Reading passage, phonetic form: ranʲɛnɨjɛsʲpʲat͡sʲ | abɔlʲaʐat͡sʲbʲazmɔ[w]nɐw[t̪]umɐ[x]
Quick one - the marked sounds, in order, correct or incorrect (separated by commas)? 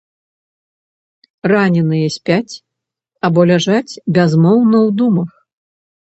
correct, incorrect, correct